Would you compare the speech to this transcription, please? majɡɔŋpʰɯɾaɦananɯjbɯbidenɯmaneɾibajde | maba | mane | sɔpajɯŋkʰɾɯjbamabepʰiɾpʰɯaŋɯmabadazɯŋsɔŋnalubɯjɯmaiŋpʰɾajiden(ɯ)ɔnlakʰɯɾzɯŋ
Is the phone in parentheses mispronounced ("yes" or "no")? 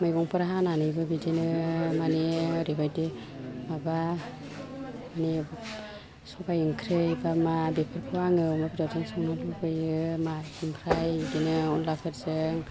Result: no